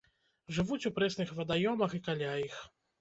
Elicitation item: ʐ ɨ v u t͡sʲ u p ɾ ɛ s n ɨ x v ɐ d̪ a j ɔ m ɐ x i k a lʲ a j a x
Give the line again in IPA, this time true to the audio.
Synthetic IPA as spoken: ʐ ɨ v u t͡sʲ u p ɾ ɛ s n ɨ x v ɐ d̪ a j ɔ m ɐ x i k a lʲ a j i x